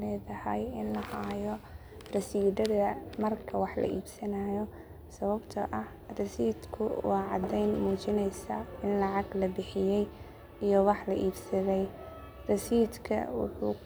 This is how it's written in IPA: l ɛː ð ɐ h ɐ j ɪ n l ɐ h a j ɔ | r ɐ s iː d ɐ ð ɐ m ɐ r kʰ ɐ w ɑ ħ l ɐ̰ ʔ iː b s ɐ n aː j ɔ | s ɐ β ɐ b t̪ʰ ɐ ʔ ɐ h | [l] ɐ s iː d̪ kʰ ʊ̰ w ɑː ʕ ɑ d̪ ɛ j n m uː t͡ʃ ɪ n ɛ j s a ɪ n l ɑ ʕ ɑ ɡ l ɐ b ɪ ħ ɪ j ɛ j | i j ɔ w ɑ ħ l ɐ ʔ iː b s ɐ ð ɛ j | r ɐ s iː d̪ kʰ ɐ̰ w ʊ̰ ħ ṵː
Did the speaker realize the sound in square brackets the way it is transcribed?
no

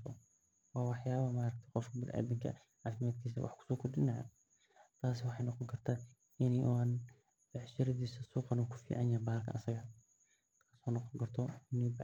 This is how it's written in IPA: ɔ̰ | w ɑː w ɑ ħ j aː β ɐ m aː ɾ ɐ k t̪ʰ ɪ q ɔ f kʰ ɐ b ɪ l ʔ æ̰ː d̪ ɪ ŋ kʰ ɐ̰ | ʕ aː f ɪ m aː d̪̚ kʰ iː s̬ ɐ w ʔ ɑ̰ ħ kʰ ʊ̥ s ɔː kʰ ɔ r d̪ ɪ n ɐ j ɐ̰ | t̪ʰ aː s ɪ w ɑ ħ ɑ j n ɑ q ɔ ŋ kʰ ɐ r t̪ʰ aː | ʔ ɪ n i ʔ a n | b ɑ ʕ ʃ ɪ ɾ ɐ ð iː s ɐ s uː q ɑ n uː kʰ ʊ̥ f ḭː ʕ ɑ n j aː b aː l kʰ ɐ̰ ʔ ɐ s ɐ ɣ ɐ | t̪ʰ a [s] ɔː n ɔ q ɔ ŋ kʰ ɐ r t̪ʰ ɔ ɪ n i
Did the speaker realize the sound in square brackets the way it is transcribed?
yes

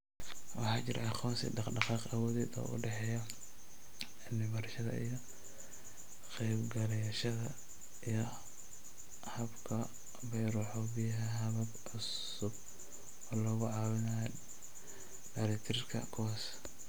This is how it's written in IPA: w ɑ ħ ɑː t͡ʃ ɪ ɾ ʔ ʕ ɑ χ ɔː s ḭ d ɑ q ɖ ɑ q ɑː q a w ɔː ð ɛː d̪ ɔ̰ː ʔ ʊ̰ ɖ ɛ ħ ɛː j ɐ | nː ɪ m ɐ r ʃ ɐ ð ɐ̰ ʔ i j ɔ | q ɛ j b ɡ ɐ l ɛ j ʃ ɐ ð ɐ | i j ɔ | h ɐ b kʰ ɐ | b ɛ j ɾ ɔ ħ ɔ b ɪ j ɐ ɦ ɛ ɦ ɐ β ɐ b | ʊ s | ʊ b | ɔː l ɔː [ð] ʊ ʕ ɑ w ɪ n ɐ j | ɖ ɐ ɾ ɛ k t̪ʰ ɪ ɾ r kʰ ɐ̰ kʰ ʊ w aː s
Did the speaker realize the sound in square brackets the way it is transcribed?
no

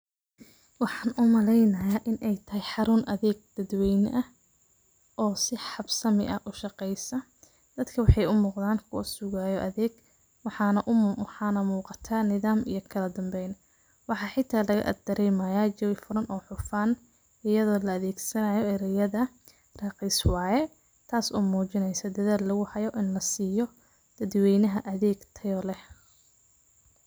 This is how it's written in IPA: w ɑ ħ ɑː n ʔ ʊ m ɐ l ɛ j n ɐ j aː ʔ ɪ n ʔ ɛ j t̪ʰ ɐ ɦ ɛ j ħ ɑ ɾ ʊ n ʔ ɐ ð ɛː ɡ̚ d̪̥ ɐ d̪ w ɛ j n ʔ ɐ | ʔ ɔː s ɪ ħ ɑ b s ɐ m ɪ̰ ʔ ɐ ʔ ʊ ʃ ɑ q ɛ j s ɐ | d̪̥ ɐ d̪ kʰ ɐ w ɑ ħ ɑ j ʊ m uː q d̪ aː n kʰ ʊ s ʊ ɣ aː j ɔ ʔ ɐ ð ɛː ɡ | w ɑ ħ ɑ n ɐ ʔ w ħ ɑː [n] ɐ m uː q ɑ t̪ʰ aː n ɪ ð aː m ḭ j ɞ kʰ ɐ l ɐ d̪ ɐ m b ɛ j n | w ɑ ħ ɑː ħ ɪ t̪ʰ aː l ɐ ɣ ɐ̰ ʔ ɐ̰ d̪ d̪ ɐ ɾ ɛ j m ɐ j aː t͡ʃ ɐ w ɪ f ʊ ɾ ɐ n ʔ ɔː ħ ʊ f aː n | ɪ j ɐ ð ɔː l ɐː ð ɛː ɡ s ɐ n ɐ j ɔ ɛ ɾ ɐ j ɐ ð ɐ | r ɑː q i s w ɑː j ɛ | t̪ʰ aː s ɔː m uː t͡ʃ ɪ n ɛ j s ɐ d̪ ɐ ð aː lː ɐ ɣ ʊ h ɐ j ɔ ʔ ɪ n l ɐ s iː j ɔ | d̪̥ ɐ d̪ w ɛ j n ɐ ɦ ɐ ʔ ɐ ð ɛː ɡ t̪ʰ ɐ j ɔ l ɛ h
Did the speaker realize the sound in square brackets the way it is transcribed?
yes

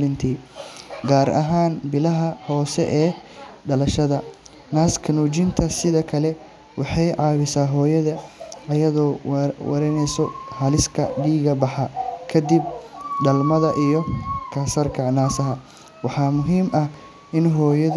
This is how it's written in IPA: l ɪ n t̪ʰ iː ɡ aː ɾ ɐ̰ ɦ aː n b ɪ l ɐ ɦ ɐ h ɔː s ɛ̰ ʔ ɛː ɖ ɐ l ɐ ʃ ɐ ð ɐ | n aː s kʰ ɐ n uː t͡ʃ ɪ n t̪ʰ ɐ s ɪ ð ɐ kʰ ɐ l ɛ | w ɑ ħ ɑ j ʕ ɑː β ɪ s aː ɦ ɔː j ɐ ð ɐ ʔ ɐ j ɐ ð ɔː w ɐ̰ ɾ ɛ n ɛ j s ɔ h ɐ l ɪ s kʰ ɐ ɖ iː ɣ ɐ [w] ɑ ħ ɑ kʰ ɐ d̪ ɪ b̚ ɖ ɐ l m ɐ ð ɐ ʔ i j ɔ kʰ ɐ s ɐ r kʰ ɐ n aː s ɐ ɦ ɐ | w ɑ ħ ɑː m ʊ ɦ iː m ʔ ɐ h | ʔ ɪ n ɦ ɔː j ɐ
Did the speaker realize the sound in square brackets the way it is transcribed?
no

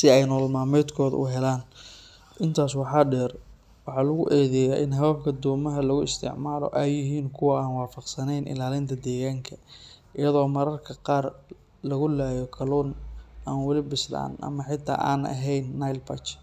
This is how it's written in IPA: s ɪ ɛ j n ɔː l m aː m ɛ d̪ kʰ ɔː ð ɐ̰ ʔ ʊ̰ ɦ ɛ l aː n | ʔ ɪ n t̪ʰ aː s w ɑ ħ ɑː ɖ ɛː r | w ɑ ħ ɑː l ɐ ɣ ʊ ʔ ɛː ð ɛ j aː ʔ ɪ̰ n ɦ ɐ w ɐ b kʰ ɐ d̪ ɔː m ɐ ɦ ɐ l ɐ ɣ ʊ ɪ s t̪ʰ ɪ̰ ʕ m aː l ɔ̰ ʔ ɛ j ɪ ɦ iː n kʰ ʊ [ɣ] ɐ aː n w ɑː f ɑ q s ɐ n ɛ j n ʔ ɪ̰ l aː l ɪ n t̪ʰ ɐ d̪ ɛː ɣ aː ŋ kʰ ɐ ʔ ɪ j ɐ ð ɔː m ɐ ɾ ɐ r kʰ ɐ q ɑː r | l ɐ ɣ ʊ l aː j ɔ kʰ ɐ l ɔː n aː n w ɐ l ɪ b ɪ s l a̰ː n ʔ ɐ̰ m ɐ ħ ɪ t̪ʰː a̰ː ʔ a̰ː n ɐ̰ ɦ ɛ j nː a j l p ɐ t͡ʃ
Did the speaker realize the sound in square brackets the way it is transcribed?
no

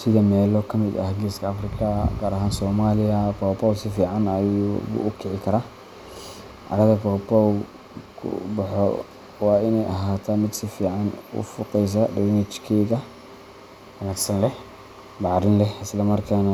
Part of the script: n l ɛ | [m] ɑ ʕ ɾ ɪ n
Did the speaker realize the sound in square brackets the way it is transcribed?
no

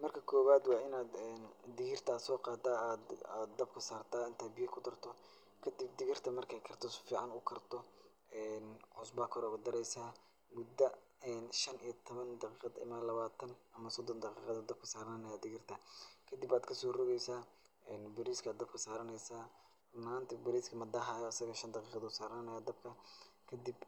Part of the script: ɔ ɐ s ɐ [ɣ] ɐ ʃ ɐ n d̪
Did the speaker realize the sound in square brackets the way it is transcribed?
yes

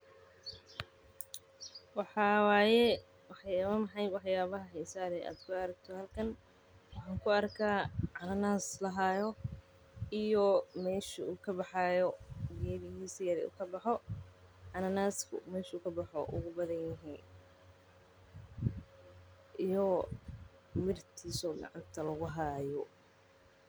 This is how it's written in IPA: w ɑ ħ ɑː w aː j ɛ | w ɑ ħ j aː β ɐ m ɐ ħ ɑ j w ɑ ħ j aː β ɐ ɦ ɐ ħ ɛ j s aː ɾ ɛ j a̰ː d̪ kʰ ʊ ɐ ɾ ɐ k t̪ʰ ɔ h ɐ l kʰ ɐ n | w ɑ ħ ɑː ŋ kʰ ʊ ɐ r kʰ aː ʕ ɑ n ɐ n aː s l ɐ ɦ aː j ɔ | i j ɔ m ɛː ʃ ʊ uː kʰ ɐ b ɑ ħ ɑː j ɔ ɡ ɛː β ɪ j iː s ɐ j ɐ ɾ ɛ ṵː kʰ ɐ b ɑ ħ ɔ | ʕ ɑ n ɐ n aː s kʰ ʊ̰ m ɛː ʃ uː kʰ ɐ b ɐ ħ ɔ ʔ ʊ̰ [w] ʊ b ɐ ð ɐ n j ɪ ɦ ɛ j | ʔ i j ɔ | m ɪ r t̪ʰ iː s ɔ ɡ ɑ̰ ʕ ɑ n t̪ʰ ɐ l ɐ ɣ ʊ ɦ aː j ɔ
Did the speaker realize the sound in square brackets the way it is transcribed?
no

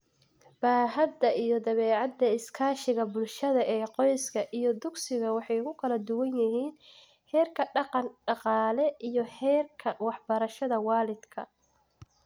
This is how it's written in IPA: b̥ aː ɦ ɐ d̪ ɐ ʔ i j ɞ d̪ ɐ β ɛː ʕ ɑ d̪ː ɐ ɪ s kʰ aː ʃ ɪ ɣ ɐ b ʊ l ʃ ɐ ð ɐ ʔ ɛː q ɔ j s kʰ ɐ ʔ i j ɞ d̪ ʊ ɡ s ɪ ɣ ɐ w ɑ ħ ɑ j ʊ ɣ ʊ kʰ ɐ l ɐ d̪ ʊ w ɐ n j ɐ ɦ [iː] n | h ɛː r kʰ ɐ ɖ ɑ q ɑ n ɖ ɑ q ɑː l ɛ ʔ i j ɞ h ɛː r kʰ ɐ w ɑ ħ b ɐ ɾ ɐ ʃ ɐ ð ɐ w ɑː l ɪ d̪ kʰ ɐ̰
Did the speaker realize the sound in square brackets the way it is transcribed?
yes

